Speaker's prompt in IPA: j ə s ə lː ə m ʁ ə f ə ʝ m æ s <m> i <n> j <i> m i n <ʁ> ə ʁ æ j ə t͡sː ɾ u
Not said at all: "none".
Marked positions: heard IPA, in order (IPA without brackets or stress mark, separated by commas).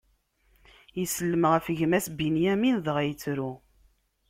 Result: b, n, æ, ð